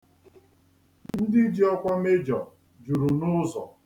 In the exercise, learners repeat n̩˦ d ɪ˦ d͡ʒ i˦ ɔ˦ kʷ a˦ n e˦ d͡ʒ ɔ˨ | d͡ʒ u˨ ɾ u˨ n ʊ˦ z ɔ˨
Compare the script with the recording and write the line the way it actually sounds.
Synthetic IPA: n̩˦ d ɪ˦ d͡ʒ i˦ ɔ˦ kʷ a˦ m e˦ d͡ʒ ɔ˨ | d͡ʒ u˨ ɾ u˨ n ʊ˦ z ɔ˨